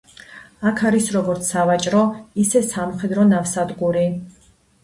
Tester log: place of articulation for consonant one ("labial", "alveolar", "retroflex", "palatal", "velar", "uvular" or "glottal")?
velar